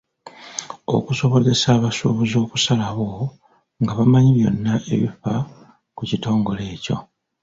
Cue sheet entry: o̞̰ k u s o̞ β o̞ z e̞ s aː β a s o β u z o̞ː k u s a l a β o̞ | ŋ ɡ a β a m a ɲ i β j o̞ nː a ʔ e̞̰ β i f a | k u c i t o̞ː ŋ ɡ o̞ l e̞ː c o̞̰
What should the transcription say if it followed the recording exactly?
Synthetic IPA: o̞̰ k u s o̞ β o̞ z e̞ s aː β a s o β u z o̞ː k u s a l a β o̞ | ŋ ɡ a β a m a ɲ i β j o̞ nː a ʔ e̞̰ β i f a | k u c i t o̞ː ŋ ɡ o̞ l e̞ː c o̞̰